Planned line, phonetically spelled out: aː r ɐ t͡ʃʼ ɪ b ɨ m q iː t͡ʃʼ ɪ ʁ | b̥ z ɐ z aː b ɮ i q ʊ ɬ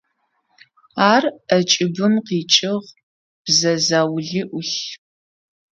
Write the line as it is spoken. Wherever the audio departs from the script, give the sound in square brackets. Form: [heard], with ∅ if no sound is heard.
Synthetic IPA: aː r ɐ t͡ʃʼ ɪ b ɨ m q iː t͡ʃʼ ɪ ʁ | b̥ z ɐ z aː [w] ɮ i [ʔ] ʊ ɬ